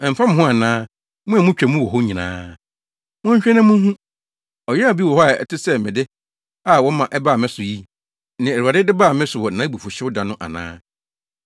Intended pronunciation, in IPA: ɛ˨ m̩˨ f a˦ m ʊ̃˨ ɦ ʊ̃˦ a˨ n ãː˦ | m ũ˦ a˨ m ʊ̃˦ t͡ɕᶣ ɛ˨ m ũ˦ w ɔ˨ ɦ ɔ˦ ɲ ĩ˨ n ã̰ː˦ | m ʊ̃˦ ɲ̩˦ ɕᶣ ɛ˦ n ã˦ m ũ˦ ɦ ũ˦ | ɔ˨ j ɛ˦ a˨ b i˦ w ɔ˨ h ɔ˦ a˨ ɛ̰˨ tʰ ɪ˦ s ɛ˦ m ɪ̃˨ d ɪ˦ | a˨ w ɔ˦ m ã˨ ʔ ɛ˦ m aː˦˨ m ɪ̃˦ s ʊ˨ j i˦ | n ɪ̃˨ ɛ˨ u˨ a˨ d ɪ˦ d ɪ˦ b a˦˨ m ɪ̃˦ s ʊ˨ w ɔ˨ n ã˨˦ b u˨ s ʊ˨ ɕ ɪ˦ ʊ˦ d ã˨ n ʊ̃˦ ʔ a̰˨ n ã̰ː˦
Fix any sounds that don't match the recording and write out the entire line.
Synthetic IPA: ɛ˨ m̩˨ f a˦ m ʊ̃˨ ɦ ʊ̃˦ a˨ n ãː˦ | m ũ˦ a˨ m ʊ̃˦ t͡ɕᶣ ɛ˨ m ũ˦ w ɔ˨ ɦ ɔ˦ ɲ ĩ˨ n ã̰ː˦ | m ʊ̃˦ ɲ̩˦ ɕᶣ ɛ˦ n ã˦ m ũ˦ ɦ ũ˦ | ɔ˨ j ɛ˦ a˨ b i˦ w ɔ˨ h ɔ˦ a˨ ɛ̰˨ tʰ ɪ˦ s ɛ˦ m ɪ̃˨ d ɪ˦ | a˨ w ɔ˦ m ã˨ ʔ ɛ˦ b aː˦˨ m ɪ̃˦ s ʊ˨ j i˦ | n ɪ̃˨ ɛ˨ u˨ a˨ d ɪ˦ d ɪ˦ b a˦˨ m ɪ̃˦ s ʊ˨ w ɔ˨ n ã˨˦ b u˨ f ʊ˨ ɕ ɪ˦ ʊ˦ d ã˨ n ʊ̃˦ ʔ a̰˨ n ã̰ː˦